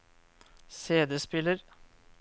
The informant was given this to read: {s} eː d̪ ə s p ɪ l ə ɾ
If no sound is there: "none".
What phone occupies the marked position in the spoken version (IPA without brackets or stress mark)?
s